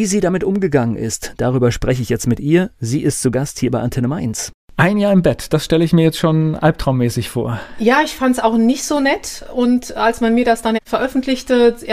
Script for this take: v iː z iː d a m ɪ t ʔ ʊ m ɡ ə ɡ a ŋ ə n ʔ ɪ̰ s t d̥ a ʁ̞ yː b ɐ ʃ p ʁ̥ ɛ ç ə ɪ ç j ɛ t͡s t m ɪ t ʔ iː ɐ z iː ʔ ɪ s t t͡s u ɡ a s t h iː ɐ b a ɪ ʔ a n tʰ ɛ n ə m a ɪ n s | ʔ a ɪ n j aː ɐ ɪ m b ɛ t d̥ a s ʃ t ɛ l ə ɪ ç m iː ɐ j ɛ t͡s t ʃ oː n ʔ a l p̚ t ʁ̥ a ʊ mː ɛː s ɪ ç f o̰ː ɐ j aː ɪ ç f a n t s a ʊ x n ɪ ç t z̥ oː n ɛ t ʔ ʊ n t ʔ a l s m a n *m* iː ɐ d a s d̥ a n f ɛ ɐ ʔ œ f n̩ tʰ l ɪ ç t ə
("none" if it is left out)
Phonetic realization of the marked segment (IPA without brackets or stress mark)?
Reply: m